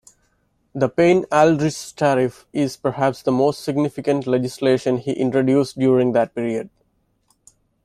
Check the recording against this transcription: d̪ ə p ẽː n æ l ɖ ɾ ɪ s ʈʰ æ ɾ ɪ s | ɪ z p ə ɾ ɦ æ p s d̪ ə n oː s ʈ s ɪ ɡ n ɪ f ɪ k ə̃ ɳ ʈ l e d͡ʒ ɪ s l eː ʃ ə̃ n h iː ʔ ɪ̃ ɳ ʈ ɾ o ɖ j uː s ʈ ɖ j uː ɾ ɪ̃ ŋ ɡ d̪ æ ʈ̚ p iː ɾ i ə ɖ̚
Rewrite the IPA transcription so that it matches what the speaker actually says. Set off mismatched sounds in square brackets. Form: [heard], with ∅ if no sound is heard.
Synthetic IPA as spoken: d̪ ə p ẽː n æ l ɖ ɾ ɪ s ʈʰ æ ɾ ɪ [f] | ɪ z p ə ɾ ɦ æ p s d̪ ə [m] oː s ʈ s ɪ ɡ n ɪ f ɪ k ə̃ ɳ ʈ l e d͡ʒ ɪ s l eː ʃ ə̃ n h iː ʔ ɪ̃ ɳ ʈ ɾ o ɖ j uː s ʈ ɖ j uː ɾ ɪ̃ ŋ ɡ d̪ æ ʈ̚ p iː ɾ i ə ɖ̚